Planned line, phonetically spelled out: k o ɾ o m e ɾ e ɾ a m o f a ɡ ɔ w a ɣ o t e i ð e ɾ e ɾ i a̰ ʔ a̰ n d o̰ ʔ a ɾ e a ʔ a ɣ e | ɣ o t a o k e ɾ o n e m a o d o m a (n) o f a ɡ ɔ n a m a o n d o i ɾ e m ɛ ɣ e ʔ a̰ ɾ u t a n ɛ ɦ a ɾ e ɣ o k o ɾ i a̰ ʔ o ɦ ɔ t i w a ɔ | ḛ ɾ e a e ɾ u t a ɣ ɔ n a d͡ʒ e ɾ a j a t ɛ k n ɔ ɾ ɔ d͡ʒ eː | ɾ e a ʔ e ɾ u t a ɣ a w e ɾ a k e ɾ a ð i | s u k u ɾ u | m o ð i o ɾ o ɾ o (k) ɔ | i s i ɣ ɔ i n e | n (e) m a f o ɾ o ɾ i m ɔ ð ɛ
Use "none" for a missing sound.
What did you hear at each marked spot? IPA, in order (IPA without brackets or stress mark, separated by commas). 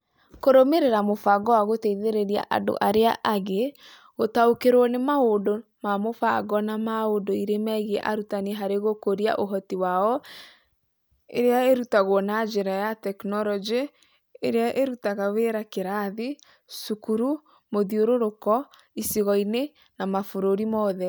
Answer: m, k, a